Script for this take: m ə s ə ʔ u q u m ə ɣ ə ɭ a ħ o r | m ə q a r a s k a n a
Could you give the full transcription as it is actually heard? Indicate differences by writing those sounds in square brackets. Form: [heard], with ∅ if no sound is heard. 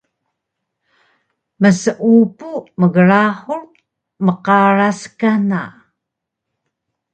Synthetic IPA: m ə s ə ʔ u [p] u m ə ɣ ə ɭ a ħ [u] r | m ə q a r a s k a n a